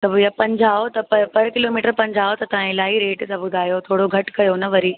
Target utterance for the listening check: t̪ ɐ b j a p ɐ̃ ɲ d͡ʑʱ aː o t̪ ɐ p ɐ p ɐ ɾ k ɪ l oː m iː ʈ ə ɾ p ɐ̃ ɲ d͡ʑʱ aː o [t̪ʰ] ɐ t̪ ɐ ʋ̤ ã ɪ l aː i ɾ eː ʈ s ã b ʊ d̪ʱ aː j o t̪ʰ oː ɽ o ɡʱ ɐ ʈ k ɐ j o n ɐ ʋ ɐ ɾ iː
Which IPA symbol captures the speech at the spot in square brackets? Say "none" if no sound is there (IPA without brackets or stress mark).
t̪